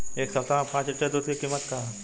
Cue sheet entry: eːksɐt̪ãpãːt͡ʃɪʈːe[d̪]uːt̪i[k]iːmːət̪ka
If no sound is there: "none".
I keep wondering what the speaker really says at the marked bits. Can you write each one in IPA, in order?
d̪, k

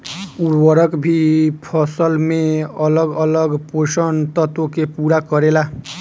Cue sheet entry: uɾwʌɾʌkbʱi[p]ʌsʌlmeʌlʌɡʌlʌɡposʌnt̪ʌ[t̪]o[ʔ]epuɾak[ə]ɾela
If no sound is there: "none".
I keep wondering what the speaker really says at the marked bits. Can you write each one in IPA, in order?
pʰ, t̪, k, ʌ

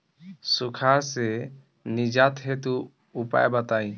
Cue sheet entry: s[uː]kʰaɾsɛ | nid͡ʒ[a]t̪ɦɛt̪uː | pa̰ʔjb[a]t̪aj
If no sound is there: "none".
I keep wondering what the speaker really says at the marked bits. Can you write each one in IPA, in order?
u, a, a

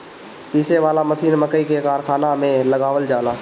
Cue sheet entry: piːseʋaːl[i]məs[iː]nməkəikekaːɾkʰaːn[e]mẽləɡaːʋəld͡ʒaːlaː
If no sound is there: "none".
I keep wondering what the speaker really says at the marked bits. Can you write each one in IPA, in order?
a, iː, a

